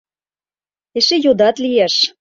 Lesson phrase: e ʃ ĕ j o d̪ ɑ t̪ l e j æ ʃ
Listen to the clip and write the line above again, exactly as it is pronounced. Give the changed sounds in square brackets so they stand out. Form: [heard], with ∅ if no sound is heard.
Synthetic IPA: e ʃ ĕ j o d̪ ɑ t̪ l [i] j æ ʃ